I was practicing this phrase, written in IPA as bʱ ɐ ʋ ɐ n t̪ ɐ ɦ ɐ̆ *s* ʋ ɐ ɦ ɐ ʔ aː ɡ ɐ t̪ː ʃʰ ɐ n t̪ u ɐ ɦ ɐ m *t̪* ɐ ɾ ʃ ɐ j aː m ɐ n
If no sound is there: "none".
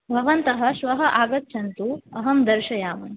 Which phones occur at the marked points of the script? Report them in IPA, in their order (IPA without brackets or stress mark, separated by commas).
ʃ, d̪